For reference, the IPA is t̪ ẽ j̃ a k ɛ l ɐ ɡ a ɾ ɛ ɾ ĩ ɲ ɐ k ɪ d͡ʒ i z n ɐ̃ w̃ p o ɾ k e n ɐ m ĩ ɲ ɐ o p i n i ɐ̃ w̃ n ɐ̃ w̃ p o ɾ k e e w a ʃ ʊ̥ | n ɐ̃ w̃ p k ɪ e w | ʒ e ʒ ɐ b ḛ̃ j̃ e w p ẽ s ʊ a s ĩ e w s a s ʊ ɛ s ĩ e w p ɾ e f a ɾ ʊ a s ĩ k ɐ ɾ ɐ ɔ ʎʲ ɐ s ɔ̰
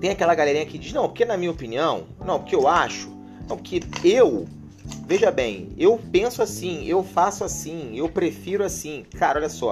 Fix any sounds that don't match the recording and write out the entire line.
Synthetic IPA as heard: t̪ ẽ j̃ a k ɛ l ɐ ɡ a l ɛ ɾ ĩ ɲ ɐ k ɪ d͡ʒ i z n ɐ̃ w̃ p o ɾ k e n ɐ m ĩ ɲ ɐ o p i n i ɐ̃ w̃ n ɐ̃ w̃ p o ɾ k e e w a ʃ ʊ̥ | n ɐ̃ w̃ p k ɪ e w | v e ʒ ɐ b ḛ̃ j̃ e w p ẽ s ʊ a s ĩ e w f a s ʊ a s ĩ e w p ɾ e f i ɾ ʊ a s ĩ k a ɾ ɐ ɔ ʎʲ ɐ s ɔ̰